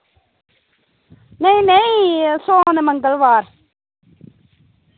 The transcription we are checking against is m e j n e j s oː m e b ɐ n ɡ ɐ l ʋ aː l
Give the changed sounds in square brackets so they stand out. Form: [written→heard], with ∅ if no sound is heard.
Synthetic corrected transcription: [m→n] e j n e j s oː [m→n] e [b→m] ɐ [n→ŋ] ɡ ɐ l ʋ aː [l→ɾ]